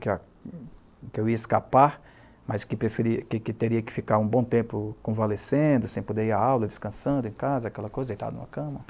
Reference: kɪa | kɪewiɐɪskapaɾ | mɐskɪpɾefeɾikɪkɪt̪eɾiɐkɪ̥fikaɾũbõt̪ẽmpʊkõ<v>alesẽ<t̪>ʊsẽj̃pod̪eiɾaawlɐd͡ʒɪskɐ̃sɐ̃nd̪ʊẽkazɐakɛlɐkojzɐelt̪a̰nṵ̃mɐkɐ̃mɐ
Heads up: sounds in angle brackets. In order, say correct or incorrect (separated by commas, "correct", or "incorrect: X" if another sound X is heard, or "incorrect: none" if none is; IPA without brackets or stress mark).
correct, incorrect: d̪